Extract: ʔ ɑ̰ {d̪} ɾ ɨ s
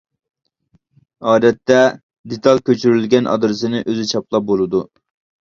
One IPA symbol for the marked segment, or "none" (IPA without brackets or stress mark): d̪